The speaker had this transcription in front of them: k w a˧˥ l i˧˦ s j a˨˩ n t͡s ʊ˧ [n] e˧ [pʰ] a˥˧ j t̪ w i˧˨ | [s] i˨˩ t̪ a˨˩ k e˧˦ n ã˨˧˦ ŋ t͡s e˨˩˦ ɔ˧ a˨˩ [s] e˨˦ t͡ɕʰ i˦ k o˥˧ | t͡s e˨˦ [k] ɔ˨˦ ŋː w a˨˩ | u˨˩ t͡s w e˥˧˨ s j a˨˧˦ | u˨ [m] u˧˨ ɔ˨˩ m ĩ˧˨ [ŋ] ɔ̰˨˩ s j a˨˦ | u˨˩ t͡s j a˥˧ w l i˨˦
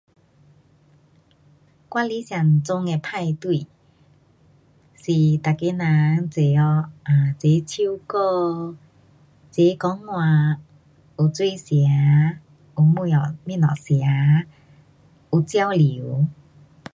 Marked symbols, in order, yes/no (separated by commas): no, yes, yes, no, yes, yes, no